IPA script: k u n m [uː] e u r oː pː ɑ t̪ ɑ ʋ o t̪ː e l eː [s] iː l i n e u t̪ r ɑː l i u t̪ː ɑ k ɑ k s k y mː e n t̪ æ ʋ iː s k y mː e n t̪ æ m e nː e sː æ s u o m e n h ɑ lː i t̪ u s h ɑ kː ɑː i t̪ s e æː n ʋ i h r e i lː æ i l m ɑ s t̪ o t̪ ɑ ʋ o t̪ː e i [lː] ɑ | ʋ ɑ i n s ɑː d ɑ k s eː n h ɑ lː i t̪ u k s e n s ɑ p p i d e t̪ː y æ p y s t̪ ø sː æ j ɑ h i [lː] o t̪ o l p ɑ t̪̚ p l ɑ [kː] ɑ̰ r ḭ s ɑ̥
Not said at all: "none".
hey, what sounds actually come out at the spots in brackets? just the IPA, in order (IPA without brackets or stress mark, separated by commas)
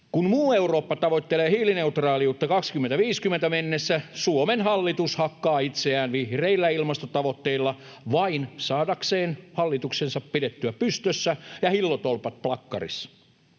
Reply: uː, h, lː, lː, kː